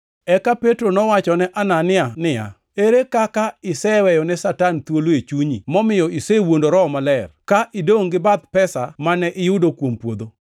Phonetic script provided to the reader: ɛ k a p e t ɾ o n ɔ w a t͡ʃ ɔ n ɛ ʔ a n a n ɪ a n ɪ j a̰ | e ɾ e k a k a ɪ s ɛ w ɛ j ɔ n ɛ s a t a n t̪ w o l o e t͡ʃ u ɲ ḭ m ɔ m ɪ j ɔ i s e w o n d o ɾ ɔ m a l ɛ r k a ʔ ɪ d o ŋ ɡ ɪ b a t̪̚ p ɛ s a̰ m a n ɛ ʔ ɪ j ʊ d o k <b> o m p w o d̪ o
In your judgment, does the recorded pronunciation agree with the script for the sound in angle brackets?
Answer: no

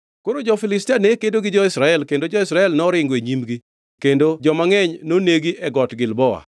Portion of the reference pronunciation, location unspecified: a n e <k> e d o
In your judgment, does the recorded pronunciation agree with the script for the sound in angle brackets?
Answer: yes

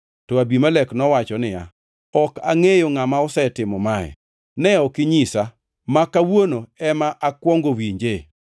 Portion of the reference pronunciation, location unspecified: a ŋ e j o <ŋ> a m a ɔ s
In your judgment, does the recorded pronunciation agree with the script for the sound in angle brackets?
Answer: yes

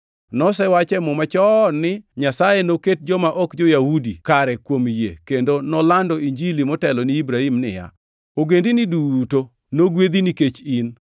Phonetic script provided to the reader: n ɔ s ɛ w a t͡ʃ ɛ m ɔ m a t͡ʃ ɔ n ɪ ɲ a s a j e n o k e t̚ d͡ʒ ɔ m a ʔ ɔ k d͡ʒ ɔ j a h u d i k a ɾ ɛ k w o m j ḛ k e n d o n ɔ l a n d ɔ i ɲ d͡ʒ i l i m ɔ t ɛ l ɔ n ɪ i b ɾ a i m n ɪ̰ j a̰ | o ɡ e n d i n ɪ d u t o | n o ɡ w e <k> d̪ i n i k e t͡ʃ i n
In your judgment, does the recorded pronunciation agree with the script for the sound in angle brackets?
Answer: no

